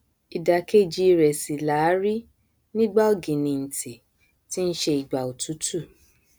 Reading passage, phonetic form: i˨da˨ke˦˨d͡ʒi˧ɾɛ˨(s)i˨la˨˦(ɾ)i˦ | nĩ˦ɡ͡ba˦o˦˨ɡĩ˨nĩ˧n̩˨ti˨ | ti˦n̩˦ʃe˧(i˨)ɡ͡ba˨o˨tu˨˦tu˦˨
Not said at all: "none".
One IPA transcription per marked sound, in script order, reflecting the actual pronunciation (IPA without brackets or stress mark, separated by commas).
s, ɾ, i˨